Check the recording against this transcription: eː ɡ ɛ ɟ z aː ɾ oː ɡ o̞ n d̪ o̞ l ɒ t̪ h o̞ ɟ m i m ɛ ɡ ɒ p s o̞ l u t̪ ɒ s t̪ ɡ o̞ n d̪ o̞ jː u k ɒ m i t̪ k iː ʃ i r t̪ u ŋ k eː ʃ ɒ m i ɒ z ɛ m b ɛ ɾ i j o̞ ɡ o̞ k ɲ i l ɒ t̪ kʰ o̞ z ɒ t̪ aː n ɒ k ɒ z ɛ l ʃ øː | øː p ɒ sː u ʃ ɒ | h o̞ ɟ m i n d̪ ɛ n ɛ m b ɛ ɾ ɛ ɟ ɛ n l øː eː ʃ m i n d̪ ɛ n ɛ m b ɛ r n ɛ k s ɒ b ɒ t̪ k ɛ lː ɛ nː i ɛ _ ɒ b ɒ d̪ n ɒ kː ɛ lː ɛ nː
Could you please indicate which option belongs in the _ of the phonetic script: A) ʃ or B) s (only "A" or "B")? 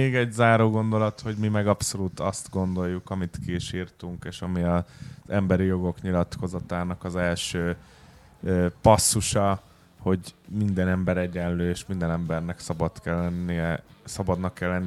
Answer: B